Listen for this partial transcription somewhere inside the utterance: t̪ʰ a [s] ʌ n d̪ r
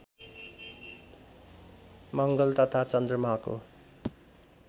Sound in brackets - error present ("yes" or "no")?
yes